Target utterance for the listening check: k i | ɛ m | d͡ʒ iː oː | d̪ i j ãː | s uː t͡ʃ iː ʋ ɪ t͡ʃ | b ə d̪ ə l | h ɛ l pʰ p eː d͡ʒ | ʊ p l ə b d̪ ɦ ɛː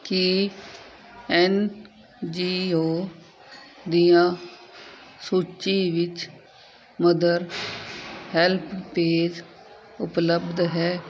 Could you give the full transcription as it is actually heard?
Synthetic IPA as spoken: k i | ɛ n | d͡ʒ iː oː | d̪ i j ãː | s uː t͡ʃ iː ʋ ɪ t͡ʃ | m ə d̪ ə ɾ | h ɛ l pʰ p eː d͡ʒ | ʊ p l ə b d̪ ɦ ɛː